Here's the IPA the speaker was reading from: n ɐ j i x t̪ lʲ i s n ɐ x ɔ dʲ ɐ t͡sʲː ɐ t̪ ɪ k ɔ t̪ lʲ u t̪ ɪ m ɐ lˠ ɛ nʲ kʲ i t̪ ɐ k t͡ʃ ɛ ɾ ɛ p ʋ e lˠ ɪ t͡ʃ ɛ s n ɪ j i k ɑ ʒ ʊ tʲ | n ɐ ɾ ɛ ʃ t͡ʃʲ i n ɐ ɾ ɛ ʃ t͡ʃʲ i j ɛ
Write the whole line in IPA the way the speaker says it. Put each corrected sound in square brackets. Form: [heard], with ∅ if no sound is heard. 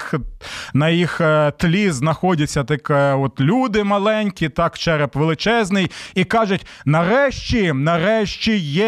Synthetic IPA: n ɐ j i x t̪ lʲ i [z] n ɐ x ɔ dʲ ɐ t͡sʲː ɐ t̪ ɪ k ɔ t̪ lʲ u [d̪] ɪ m ɐ lˠ ɛ nʲ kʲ i t̪ [ɑ] k t͡ʃ ɛ ɾ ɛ p ʋ e lˠ ɪ t͡ʃ ɛ [z] n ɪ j i k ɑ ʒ ʊ tʲ | n ɐ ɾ ɛ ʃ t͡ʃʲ i n ɐ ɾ ɛ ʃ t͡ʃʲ i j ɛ